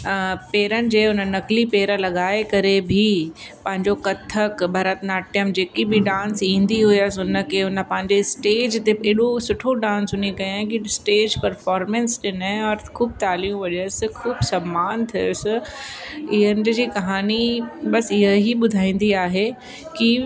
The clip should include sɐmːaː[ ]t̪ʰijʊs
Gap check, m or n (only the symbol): n